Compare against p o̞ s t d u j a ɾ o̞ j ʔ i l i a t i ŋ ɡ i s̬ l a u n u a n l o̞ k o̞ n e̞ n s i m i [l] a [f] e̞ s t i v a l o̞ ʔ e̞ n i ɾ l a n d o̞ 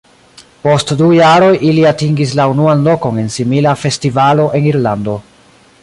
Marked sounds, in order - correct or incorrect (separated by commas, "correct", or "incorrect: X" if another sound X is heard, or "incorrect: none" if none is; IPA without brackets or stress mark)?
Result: correct, correct